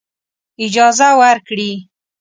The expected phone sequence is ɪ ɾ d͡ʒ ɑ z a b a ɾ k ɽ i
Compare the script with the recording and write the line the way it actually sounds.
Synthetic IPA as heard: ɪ d͡ʒ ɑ z a w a ɾ k ɽ i